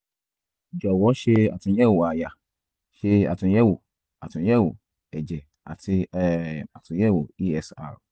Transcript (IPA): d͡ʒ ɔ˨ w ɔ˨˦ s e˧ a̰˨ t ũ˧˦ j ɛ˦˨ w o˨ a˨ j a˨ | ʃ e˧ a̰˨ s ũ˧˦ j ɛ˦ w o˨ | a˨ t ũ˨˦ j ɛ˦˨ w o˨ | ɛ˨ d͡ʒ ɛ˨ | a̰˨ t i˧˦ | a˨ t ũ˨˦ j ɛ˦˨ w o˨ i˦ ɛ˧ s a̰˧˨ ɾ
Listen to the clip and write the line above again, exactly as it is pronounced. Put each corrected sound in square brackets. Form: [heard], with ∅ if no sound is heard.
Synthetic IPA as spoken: d͡ʒ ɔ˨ w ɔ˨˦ [ʃ] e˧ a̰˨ t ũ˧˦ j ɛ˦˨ w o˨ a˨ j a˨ | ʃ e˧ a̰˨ [t] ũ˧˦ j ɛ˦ w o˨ | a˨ t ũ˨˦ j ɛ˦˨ w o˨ | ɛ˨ d͡ʒ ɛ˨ | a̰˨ t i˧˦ | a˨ t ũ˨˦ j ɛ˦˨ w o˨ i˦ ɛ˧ s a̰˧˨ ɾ

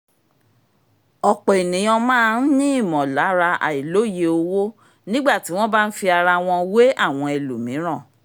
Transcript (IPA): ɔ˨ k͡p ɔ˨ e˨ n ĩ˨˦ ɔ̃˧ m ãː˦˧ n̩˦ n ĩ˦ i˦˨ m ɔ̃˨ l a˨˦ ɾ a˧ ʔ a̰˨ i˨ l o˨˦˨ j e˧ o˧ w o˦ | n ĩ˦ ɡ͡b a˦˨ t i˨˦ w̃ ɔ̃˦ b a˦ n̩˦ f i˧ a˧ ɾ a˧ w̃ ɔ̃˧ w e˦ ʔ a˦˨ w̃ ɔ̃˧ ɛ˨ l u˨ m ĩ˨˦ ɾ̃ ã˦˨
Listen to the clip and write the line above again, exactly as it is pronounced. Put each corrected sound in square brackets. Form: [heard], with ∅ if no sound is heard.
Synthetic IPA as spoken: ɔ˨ k͡p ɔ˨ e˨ n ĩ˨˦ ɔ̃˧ m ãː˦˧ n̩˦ n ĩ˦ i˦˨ m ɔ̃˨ l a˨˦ ɾ a˧ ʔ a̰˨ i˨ l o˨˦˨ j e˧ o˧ w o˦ | n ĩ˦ ɡ͡b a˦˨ t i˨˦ w̃ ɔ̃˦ b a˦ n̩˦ f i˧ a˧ ɾ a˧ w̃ ɔ̃˧ w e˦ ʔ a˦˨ w̃ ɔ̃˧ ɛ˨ l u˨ m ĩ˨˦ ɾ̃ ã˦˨

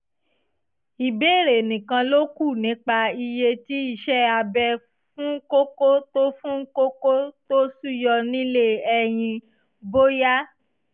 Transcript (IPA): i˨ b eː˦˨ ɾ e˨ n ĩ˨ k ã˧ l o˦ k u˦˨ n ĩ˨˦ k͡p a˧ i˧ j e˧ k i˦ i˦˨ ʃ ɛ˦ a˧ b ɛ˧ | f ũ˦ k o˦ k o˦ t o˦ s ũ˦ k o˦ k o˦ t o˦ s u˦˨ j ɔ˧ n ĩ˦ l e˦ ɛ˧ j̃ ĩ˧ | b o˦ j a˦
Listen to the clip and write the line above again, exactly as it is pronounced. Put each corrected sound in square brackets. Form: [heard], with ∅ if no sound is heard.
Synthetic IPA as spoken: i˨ b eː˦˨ ɾ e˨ n ĩ˨ k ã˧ l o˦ k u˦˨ n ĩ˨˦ k͡p a˧ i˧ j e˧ [t] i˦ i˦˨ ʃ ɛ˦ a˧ b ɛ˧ | f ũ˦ k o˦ k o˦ t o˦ [f] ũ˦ k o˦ k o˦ t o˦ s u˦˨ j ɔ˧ n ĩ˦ l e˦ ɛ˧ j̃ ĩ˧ | b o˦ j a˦

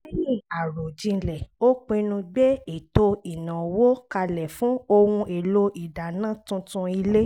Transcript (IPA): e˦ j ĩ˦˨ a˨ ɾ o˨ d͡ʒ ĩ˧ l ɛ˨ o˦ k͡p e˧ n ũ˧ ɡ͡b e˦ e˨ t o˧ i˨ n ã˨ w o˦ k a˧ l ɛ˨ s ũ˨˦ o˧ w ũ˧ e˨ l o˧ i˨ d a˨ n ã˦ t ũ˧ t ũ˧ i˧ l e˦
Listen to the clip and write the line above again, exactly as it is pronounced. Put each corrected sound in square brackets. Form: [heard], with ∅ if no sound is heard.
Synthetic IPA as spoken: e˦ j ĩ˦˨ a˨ ɾ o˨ d͡ʒ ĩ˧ l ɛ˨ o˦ k͡p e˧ n ũ˧ ɡ͡b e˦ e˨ t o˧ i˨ n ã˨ w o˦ k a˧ l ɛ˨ [f] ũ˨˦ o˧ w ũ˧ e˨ l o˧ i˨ d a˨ n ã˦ t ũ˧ t ũ˧ i˧ l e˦

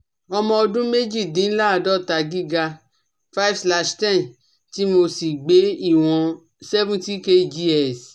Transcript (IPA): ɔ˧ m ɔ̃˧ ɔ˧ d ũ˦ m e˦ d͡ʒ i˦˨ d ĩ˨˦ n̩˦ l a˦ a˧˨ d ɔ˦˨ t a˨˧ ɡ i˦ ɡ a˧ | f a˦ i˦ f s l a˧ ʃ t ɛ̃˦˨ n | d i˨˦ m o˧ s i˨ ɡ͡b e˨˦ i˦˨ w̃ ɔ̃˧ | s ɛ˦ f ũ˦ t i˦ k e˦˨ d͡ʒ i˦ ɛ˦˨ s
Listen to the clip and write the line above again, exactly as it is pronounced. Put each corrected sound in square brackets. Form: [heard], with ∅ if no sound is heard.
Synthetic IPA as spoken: ɔ˧ m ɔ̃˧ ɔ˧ d ũ˦ m e˦ d͡ʒ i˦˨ d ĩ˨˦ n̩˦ l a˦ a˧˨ d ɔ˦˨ t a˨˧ ɡ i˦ ɡ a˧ | f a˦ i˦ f s l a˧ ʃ t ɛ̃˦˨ n | [t] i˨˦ m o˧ s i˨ ɡ͡b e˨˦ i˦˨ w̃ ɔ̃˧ | s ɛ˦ [v] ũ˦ t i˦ k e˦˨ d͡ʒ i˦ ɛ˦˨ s

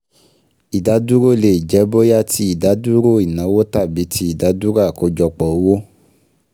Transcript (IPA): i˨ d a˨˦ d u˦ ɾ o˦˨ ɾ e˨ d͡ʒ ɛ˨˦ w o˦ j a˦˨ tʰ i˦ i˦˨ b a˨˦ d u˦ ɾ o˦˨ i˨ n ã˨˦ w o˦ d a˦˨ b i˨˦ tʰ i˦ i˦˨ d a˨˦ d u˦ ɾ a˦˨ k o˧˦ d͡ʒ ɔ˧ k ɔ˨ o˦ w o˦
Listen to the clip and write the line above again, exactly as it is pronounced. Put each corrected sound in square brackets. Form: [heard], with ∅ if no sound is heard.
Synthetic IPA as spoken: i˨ d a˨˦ d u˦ ɾ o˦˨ [l] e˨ d͡ʒ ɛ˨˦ [b] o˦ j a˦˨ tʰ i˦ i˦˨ [d] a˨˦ d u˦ ɾ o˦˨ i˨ n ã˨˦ w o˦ [t] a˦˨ b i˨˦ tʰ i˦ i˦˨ d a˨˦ d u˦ ɾ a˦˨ k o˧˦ d͡ʒ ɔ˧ [k͡p] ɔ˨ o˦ w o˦

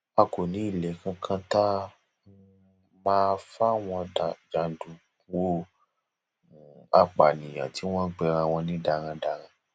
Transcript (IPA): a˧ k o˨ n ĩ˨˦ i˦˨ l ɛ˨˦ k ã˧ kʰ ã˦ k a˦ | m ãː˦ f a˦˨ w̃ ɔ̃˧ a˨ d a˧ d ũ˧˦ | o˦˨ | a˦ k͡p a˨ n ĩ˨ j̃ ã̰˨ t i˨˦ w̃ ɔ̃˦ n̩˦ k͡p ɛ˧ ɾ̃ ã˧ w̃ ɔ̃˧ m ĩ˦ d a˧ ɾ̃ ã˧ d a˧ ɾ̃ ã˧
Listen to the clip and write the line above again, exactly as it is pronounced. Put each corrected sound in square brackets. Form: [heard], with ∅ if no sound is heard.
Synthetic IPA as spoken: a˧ k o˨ n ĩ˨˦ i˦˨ l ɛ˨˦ k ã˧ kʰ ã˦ [t] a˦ | m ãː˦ f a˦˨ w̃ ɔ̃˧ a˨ [d͡ʒ] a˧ d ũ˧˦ | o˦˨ | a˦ k͡p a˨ n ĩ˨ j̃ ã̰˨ t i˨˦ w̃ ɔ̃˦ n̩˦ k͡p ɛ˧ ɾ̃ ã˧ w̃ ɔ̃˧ [n] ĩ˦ d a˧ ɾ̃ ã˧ d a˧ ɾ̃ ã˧

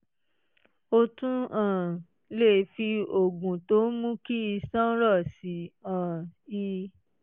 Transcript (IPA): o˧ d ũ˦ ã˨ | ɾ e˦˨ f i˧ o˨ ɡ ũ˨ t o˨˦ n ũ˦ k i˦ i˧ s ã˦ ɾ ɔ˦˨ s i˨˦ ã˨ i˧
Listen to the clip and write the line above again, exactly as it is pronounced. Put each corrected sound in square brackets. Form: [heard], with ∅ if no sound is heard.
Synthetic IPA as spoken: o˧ [t] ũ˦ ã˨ | [l] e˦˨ f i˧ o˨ ɡ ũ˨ t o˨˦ [m] ũ˦ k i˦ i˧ s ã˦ ɾ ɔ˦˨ s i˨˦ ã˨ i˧

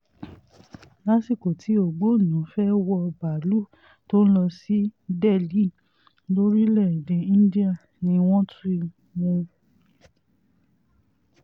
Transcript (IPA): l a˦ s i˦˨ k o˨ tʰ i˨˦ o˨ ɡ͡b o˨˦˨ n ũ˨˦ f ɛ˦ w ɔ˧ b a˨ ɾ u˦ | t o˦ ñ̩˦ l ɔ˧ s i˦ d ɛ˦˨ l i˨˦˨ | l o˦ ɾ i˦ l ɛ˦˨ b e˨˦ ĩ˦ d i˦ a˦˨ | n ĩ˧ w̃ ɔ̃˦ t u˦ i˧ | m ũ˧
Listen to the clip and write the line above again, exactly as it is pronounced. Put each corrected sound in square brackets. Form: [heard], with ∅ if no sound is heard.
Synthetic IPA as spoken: l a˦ s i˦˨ k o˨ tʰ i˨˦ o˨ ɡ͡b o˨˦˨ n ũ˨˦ f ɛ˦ w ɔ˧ b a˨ [l] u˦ | t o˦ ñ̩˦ l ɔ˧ s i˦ d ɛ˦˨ l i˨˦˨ | l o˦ ɾ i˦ l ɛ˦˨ [d] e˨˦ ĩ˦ d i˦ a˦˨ | n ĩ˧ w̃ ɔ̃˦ t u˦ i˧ | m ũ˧

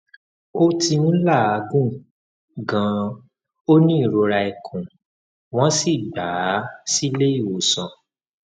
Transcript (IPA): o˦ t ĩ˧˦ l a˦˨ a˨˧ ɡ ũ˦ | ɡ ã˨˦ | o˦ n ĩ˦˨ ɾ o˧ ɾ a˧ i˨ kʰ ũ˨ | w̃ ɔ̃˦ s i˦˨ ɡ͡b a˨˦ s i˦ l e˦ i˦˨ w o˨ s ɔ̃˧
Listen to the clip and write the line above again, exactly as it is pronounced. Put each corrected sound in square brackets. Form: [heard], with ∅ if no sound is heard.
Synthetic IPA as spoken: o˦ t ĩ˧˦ l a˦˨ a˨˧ ɡ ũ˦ | ɡ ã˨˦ | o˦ n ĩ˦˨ ɾ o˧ ɾ a˧ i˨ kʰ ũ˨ | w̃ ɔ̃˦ s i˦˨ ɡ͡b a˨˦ s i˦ l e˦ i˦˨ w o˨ s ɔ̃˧

